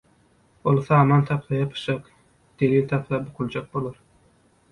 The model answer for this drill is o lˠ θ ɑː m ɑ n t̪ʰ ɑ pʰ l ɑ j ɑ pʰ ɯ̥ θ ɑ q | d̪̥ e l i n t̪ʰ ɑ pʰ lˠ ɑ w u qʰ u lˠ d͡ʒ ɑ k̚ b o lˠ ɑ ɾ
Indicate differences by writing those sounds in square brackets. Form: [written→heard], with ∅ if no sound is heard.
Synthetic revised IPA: o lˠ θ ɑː m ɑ n t̪ʰ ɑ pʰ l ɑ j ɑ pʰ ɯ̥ [θ→ʃ] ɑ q | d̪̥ e l i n t̪ʰ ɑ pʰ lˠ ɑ [w→b] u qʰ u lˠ d͡ʒ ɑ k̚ b o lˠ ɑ ɾ